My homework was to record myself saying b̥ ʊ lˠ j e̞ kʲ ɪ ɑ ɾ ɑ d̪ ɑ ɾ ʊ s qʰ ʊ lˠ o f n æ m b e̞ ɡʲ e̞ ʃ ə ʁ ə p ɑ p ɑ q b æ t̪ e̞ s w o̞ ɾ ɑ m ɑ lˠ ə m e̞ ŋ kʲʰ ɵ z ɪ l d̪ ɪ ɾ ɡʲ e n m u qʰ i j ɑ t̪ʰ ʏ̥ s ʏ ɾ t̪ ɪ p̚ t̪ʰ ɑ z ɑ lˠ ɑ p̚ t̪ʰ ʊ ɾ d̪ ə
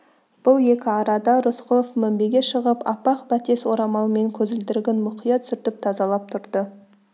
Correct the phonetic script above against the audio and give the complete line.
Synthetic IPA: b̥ ʊ lˠ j e̞ kʲ ɪ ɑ ɾ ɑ d̪ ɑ ɾ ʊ s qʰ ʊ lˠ o f m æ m b e̞ ɡʲ e̞ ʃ ə ʁ ə p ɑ p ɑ q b æ t̪ e̞ s w o̞ ɾ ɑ m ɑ lˠ ə m e̞ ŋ kʲʰ ɵ z ɪ l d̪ ɪ ɾ ɡʲ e n m ʊ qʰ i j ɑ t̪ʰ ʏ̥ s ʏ ɾ t̪ ɪ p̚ t̪ʰ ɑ z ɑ lˠ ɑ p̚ t̪ʰ ʊ ɾ d̪ ə